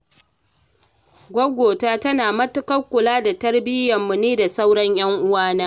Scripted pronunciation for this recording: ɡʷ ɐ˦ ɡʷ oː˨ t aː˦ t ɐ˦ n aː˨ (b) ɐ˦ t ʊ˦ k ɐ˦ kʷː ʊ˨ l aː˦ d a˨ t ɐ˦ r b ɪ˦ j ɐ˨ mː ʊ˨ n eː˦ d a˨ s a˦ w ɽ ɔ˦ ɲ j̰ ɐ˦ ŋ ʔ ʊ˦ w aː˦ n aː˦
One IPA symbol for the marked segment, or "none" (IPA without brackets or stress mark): m